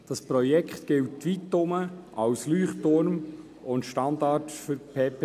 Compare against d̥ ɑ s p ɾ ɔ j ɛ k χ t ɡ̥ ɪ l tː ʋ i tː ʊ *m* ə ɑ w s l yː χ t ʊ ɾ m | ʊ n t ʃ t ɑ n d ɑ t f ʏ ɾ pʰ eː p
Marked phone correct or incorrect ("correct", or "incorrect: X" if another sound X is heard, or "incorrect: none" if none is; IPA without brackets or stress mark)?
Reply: correct